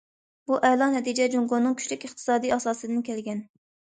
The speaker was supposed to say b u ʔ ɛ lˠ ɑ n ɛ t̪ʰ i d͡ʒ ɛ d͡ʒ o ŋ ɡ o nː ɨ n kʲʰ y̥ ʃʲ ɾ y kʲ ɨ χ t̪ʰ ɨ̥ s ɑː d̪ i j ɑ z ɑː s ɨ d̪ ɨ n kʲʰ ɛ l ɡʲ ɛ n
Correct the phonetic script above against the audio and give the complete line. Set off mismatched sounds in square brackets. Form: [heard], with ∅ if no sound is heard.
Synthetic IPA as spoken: b u ʔ ɛ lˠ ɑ n ɛ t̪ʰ i d͡ʒ ɛ d͡ʒ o ŋ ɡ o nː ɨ [ŋ] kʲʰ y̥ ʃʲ [l] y kʲ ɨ χ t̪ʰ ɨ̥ s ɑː d̪ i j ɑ [s] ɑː s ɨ d̪ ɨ n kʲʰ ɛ l ɡʲ ɛ n